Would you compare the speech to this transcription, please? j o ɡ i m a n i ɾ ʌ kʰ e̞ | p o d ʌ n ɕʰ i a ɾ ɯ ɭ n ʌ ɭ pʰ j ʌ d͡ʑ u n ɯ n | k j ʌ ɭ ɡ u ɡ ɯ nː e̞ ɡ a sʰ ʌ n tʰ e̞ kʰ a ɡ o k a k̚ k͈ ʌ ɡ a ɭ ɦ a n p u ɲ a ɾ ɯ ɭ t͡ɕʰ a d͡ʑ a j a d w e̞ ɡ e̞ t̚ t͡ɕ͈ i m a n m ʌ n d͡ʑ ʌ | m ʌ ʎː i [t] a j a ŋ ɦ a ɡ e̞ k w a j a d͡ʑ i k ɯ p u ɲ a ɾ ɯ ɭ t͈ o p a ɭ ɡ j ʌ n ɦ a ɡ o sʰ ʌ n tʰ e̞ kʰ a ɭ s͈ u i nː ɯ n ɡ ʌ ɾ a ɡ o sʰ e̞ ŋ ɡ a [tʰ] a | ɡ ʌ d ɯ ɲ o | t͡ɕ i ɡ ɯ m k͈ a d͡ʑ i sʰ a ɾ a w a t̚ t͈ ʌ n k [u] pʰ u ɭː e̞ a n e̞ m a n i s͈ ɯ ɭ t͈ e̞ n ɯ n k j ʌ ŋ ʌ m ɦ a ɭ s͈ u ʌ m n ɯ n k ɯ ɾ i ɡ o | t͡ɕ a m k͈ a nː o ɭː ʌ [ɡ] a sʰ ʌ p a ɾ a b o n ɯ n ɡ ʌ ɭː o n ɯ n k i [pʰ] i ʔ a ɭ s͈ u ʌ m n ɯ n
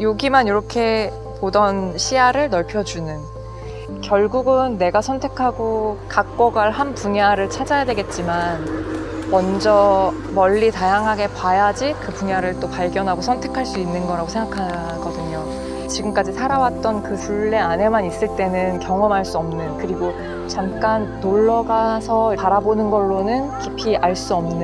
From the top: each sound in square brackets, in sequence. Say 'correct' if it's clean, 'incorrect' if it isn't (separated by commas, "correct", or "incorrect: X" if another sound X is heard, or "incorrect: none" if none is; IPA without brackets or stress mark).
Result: correct, incorrect: kʰ, incorrect: ɯ, correct, correct